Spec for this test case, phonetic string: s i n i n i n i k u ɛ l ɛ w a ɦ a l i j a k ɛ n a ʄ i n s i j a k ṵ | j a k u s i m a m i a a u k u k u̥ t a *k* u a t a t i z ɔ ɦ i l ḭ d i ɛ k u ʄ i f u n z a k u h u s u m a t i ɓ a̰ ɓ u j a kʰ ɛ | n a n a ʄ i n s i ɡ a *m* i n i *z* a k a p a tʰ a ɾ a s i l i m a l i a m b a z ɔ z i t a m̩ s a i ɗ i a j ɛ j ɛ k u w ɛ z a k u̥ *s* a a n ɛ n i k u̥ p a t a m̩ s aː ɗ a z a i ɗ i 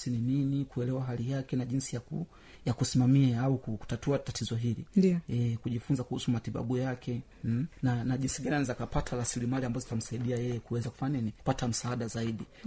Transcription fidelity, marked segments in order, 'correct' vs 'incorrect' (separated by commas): incorrect, incorrect, correct, incorrect